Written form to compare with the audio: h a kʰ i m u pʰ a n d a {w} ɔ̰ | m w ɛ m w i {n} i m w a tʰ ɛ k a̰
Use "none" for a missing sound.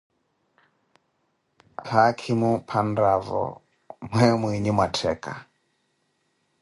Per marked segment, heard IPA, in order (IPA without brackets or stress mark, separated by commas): v, ɲ